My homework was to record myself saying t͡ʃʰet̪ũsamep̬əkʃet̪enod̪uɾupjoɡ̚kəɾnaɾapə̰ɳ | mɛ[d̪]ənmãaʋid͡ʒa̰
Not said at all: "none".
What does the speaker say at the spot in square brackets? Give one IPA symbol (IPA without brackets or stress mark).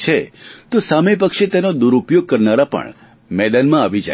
d̪